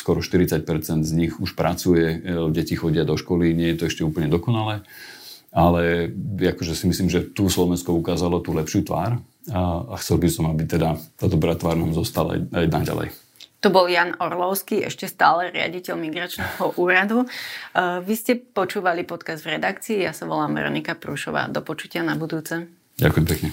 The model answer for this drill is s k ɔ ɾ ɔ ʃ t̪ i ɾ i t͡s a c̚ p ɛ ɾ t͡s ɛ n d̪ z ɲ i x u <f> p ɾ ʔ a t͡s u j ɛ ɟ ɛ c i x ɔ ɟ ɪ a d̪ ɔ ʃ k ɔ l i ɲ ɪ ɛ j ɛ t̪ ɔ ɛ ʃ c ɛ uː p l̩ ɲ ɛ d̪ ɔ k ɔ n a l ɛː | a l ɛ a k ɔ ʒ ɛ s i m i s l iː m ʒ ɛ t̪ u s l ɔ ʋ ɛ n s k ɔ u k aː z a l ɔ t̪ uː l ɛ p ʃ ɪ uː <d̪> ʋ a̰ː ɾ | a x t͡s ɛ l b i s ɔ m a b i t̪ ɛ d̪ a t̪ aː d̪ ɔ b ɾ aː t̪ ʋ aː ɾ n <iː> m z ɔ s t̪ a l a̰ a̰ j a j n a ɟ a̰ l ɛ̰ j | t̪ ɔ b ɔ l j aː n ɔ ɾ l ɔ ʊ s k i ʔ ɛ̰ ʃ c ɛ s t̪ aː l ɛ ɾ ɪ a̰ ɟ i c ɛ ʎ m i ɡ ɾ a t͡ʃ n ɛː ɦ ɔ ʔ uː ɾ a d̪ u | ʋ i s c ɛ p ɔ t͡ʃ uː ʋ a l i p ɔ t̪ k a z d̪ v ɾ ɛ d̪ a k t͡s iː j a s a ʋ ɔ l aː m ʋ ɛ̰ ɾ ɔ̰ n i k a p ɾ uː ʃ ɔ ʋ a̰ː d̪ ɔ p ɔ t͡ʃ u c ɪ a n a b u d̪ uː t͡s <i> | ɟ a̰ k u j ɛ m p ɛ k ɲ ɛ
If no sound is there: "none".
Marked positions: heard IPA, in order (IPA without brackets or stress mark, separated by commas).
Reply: ʃ, t̪, aː, ɛ